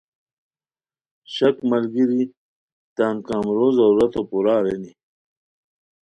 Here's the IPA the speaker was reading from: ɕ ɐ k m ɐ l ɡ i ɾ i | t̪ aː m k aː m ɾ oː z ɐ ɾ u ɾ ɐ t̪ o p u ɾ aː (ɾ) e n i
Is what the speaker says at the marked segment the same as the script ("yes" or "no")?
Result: yes